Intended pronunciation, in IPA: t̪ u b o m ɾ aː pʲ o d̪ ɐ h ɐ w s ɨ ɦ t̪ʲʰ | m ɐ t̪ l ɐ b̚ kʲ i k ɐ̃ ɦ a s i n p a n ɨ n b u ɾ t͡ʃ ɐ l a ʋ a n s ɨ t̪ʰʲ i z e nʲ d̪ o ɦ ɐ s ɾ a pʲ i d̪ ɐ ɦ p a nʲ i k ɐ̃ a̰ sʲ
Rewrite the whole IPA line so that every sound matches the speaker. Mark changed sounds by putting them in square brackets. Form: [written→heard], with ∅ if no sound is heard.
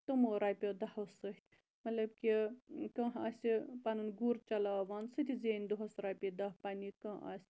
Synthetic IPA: t̪ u [b→m] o [m→∅] ɾ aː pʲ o d̪ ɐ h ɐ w s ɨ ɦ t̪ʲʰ | m ɐ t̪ l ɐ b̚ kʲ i k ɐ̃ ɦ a s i [n→∅] p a n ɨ n [b→ɡ] u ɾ t͡ʃ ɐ l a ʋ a n s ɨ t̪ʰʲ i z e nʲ d̪ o ɦ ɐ s ɾ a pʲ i d̪ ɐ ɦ p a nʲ i k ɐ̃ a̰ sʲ